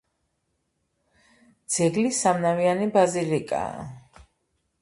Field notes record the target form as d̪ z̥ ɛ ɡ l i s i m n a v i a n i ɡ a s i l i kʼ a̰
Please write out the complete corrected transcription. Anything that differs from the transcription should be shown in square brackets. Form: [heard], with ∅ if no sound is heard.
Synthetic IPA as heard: d̪ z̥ ɛ ɡ l i s [a] m n a v i a n i [b] a [z] i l i kʼ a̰